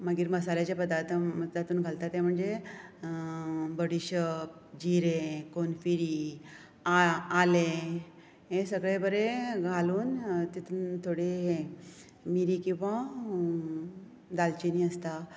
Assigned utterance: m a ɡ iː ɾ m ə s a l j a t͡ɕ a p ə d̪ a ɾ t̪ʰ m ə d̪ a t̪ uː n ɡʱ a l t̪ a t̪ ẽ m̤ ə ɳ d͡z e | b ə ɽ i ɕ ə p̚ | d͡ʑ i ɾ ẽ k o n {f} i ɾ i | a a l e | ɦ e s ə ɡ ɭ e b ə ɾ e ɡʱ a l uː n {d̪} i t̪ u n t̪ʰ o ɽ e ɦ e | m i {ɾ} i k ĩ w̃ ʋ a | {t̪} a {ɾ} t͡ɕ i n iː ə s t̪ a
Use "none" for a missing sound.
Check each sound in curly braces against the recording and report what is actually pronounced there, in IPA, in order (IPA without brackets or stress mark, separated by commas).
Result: f, t̪, ɾ, d̪, l